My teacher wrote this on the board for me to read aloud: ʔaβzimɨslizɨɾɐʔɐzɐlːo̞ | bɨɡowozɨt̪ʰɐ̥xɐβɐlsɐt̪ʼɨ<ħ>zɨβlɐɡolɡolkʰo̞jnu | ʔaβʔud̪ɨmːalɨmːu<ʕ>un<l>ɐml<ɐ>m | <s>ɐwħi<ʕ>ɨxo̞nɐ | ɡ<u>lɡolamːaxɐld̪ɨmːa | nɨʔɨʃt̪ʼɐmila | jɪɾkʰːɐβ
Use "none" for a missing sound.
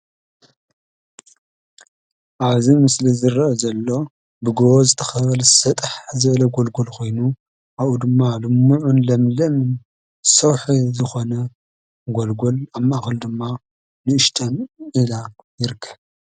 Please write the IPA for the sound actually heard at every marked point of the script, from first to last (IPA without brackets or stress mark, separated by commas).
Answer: ħ, ʕ, l, ɐ, s, z, o